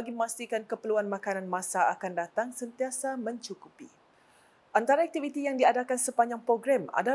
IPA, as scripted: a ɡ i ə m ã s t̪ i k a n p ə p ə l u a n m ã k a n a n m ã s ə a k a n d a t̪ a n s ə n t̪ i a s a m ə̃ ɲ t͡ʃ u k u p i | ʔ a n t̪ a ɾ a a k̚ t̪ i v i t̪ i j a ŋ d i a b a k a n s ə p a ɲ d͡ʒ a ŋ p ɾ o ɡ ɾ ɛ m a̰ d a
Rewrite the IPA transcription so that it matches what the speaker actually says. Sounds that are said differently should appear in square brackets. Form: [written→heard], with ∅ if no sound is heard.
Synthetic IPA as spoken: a ɡ i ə m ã s t̪ i k a n [p→k] ə p ə l u a n m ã k a n a n m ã s [ə→a] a k a n d a t̪ a [n→ŋ] s ə n t̪ i a s a m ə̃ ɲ t͡ʃ u k u p i | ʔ a n t̪ a ɾ a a k̚ t̪ i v i t̪ i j a ŋ d i a [b→d] a k a n s ə p a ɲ d͡ʒ a ŋ p ɾ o ɡ ɾ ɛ m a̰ d a